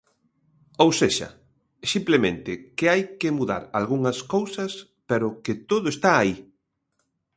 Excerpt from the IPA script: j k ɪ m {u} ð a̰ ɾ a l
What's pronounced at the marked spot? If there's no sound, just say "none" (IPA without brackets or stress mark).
u